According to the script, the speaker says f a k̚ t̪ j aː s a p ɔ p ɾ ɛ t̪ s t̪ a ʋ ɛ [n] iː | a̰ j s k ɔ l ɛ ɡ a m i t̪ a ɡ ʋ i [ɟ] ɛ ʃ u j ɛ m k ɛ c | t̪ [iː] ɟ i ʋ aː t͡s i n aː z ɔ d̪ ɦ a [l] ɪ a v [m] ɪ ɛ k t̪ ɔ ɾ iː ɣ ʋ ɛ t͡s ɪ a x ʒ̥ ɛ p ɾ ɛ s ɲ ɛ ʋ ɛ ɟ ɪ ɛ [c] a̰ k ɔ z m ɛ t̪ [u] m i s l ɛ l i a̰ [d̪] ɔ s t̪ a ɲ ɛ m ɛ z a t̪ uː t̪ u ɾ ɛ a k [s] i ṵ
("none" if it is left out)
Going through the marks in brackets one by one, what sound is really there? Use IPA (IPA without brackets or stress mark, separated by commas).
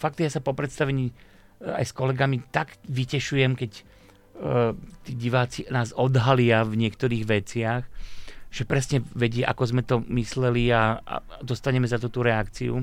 ɲ, c, iː, l, ɲ, ʔ, ɔ, d̪, t͡s